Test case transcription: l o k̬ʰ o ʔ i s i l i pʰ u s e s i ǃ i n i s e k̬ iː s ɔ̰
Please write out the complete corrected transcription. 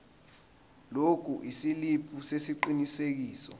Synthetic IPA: l o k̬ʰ u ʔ i s i l i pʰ u s e s i ǃ i n i s e k̬ iː s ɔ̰